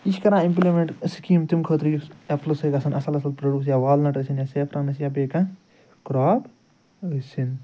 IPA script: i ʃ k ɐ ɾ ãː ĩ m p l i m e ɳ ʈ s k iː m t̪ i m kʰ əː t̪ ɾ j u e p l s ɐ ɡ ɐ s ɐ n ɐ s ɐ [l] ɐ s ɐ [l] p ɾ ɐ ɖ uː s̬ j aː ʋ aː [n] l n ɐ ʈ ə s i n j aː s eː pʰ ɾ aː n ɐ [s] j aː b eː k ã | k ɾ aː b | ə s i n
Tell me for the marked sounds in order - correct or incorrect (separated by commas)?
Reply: correct, correct, incorrect, correct